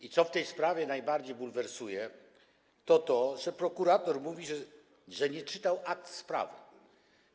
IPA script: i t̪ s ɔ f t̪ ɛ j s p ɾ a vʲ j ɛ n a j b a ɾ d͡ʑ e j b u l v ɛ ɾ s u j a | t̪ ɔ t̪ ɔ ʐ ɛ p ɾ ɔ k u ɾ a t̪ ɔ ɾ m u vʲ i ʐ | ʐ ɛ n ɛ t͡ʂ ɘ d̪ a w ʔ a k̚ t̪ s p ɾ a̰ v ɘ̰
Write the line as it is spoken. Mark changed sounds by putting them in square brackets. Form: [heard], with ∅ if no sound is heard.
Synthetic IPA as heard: i t̪ s ɔ f t̪ ɛ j s p ɾ a vʲ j ɛ n a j b a ɾ d͡ʑ e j b u l v ɛ ɾ s u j [ɛ] | t̪ ɔ t̪ ɔ ʐ ɛ p ɾ ɔ k u ɾ a t̪ ɔ ɾ m u vʲ i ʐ | ʐ ɛ [ɲ] ɛ t͡ʂ ɘ [t̪] a w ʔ a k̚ t̪ s p ɾ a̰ v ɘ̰